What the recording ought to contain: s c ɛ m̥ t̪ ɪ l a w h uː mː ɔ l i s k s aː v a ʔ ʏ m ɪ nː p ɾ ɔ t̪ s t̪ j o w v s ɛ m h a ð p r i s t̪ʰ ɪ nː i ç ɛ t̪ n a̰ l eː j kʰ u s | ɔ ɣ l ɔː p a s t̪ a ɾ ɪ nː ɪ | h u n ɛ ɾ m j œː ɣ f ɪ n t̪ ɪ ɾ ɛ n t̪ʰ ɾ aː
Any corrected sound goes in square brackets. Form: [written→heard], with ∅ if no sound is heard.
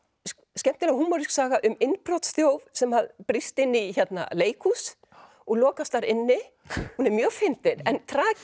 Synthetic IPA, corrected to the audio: s c ɛ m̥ t̪ ɪ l a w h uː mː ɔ [l→ɾ] i s k s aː [v→ɣ] a ʔ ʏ m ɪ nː p ɾ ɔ t̪ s t̪ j o w v s ɛ m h a ð p [r→ɾ] i s [t̪ʰ→t̪] ɪ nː i ç ɛ t̪ n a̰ l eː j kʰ u s | ɔ ɣ l ɔː [p→k] a s t̪ a ɾ ɪ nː ɪ | h u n ɛ ɾ m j œː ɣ f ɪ n t̪ ɪ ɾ ɛ n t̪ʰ ɾ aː

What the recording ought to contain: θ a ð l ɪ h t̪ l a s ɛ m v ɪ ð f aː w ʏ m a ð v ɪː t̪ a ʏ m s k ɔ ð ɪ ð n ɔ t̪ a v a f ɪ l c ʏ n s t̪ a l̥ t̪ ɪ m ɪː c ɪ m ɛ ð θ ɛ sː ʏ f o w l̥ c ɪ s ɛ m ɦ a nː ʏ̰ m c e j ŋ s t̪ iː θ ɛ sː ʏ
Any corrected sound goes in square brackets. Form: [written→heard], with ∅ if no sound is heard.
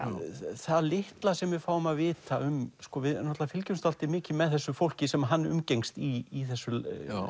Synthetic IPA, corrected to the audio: θ a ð l ɪ h t̪ l a s ɛ m v ɪ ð f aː w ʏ m a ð v ɪː t̪ a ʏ m s k ɔ [ð→v] ɪ ð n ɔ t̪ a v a f ɪ l c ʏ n s t̪ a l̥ t̪ ɪ m ɪː c ɪ m ɛ ð θ ɛ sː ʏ f o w l̥ c ɪ s ɛ m ɦ a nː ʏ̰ m c e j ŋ s t̪ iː θ ɛ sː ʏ

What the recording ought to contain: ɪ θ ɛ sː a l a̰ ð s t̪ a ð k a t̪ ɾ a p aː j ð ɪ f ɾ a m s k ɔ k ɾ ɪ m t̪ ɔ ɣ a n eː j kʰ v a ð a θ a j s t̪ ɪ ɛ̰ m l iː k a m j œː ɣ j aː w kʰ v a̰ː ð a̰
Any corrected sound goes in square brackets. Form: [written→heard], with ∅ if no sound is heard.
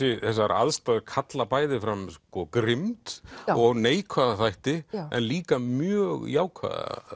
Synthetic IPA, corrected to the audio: ɪ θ ɛ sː a [l→ɾ] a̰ ð s t̪ a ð [k→kʰ] a t̪ [ɾ→l] a p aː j ð ɪ f ɾ a m s k ɔ k ɾ ɪ m t̪ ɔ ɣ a n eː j kʰ v a ð a θ a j [s→h] t̪ ɪ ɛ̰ [m→n] l iː k a m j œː ɣ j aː w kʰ v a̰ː ð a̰

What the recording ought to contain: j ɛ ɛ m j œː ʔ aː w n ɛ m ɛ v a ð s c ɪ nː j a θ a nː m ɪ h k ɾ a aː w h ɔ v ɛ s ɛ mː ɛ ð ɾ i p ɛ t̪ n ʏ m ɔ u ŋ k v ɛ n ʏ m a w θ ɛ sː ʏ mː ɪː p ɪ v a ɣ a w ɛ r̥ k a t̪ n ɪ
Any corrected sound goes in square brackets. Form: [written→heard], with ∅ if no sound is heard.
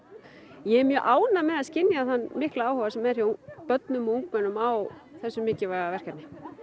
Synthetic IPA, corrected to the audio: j ɛ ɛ m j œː ʔ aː w n [ɛ→a] m ɛ [v→ð] a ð s c ɪ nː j a θ a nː m ɪ h k [ɾ→l] a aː w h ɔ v [ɛ→a] s ɛ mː ɛ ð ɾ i p [ɛ→œ] t̪ n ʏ m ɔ u ŋ k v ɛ n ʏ m a w θ ɛ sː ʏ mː ɪː [p→c] ɪ v a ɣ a [w→v] ɛ r̥ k a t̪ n ɪ

